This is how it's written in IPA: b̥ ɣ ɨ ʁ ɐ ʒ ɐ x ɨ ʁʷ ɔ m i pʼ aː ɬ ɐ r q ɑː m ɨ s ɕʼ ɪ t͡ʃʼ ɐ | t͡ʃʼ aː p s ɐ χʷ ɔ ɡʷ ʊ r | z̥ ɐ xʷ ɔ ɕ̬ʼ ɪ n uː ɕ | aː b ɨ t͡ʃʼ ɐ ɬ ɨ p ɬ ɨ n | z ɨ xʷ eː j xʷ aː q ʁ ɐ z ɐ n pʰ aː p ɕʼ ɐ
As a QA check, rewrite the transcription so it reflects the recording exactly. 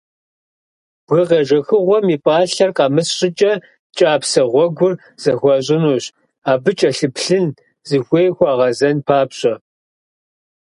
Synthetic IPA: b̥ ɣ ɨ ʁ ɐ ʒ ɐ x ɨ ʁʷ ɔ m i pʼ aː ɬ ɐ r q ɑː m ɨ s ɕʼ ɪ t͡ʃʼ ɐ | t͡ʃʼ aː p s ɐ ʁʷ ɔ ɡʷ ʊ r | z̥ ɐ xʷ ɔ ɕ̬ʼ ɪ n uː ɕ | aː b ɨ t͡ʃʼ ɐ ɬ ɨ p ɬ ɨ n | z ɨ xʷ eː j xʷ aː ʁ ɐ z ɐ n pʰ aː p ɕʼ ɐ